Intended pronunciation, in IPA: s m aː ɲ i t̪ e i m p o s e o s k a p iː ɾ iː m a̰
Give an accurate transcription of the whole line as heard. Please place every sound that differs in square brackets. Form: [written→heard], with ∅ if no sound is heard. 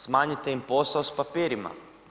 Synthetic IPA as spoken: s m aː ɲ i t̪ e i m p o s [e→a] o s [k→p] a p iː ɾ [iː→i] m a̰